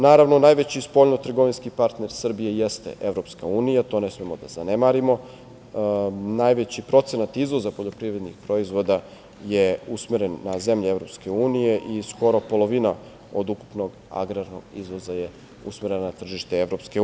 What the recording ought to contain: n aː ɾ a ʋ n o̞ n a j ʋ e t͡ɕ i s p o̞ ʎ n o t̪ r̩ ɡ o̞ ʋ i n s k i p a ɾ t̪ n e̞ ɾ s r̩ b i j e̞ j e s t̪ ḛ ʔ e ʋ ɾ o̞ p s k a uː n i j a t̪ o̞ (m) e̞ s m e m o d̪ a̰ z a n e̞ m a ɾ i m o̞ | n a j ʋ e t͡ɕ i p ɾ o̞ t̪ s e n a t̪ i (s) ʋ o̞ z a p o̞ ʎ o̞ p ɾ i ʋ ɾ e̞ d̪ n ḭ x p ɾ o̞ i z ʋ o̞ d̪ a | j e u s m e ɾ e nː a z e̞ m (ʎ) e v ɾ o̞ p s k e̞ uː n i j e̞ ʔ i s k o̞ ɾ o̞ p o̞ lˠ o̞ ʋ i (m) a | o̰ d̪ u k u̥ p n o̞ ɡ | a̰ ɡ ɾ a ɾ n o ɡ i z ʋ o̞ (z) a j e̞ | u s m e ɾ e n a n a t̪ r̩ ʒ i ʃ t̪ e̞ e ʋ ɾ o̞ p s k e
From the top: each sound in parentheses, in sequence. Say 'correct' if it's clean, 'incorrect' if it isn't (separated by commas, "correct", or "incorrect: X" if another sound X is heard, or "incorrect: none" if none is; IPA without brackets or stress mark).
incorrect: n, incorrect: z, correct, incorrect: n, correct